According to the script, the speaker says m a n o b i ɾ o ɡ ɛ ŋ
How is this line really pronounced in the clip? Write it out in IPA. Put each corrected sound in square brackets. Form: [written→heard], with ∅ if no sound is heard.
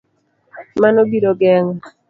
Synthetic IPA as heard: m a n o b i ɾ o ɡ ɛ ŋ